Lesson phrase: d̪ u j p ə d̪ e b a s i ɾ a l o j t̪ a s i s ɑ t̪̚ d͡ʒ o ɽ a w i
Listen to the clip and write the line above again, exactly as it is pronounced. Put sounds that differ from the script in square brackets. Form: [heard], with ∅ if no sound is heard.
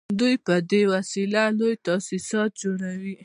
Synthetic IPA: d̪ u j p ə d̪ e [w] a s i [l] a l o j t̪ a s i s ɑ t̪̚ d͡ʒ o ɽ a w i